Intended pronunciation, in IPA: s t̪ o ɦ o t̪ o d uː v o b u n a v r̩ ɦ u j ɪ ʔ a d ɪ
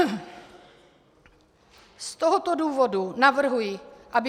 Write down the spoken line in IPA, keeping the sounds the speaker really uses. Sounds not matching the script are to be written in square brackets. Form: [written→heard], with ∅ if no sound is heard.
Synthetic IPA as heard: s t̪ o ɦ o t̪ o d uː v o [b→d] u n a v r̩ ɦ u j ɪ ʔ a [d→b] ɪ